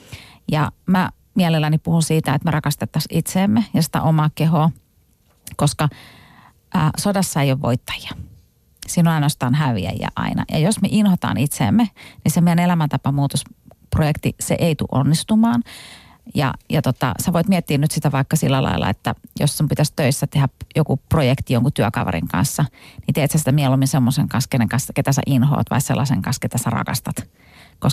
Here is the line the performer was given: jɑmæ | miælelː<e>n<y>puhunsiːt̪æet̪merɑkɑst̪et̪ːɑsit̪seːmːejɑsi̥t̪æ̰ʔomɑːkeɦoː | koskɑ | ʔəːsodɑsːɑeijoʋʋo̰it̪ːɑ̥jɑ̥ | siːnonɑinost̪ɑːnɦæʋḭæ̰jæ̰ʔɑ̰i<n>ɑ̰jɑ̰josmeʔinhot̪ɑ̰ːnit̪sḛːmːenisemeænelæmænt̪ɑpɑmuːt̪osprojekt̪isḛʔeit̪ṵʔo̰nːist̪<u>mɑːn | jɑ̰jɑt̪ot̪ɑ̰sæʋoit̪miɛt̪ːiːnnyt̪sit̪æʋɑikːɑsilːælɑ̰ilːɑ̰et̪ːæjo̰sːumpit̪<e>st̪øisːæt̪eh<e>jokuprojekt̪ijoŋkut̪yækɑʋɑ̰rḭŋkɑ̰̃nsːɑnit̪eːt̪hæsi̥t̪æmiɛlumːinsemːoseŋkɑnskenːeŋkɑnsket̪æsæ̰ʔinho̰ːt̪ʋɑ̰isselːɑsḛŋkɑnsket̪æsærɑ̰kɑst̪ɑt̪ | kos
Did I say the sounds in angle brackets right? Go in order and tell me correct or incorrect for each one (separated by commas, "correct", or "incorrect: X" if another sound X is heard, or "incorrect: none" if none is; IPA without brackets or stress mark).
incorrect: æ, incorrect: i, correct, correct, incorrect: æ, incorrect: æ